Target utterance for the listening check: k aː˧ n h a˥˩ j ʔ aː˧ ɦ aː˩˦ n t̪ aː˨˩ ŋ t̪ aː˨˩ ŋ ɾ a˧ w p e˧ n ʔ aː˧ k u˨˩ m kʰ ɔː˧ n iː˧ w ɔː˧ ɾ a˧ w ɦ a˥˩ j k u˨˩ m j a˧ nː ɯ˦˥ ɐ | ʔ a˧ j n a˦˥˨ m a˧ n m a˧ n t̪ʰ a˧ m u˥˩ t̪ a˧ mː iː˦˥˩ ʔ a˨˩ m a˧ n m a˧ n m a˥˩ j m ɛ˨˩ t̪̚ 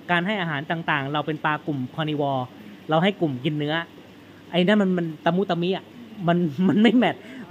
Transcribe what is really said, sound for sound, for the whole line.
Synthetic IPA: k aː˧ n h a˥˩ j ʔ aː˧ ɦ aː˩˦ n t̪ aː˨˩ ŋ t̪ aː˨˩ ŋ ɾ a˧ w p e˧ n p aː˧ k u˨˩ m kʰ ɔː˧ n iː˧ w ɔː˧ ɾ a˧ w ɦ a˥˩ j k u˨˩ m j i˧ nː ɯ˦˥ ɐ | ʔ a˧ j n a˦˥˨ m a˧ n m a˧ n t̪ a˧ m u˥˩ t̪ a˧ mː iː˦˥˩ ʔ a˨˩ m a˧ n m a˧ n m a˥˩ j m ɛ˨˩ t̪̚